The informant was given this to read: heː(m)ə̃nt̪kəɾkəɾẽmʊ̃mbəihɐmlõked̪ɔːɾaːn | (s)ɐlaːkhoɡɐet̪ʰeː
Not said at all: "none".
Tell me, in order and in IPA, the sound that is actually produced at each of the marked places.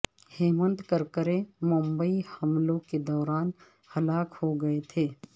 m, h

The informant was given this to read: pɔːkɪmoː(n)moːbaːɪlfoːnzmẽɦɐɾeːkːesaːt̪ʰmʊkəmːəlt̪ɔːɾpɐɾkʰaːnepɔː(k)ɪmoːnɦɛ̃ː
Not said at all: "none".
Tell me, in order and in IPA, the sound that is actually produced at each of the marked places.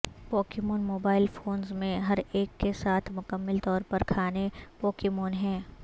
n, k

